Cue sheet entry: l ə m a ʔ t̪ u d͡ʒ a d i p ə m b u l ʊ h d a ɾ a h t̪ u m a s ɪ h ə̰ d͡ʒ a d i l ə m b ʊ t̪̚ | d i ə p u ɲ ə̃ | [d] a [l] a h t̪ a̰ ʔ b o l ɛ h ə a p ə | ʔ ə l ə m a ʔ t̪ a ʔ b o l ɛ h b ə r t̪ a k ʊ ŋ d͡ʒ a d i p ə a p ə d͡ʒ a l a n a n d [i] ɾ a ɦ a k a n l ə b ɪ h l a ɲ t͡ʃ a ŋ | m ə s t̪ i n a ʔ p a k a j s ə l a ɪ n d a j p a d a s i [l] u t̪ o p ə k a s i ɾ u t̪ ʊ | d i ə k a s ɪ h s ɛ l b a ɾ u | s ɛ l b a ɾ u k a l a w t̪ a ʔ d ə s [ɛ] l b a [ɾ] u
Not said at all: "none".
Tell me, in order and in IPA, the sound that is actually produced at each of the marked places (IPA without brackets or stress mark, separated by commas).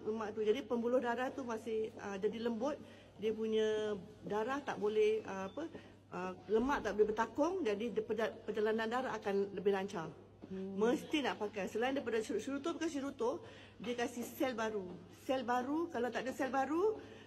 d, ɾ, a, ɾ, ɛ, ɾ